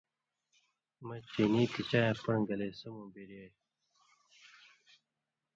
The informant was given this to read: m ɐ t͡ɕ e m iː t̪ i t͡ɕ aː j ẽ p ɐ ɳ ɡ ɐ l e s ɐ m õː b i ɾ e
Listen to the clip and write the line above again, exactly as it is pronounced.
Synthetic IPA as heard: m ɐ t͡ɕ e n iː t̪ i t͡ɕ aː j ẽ p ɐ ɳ ɡ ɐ l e s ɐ m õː b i ɾ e